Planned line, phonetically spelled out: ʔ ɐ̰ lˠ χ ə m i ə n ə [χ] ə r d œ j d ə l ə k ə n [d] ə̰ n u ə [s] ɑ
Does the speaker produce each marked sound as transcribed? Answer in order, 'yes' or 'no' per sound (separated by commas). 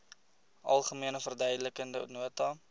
no, yes, no